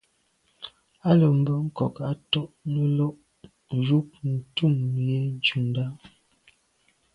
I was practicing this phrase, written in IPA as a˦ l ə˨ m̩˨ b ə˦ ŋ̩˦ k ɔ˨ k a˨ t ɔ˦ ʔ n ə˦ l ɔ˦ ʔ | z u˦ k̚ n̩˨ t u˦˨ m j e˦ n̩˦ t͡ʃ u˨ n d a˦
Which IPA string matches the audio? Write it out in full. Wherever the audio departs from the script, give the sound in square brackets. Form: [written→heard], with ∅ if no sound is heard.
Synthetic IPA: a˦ l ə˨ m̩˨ b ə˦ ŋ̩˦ k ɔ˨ k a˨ t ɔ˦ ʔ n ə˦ l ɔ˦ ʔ | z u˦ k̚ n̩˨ t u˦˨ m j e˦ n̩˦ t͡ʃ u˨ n d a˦